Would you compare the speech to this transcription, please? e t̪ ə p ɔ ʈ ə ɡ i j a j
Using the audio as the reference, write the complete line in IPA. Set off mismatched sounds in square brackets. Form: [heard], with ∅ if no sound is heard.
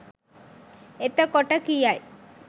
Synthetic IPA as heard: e t̪ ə [k] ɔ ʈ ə [k] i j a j